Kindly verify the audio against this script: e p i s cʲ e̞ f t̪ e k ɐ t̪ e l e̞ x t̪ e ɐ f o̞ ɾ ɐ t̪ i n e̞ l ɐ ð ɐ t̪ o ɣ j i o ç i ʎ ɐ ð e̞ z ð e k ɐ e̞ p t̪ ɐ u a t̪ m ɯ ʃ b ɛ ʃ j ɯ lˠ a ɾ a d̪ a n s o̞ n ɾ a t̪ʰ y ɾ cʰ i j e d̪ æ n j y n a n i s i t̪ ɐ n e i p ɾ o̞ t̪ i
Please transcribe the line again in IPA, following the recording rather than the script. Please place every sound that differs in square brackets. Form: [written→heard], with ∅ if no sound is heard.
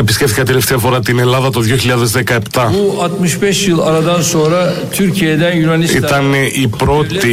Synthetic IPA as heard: e p i s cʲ e̞ f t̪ [e→i] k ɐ t̪ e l e̞ [x→f] t̪ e ɐ f o̞ ɾ ɐ t̪ i n e̞ l ɐ ð ɐ t̪ o [ɣ→ð] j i o ç i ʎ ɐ ð e̞ z ð e k ɐ e̞ p t̪ ɐ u a t̪ m ɯ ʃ b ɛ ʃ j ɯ lˠ a ɾ a d̪ a n s o̞ n ɾ a t̪ʰ y ɾ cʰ i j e d̪ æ n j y n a n i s i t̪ ɐ n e i p ɾ o̞ t̪ i